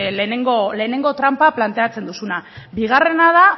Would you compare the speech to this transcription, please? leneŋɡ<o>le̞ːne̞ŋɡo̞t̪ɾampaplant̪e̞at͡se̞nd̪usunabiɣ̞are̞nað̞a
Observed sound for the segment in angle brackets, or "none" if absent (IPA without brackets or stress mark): o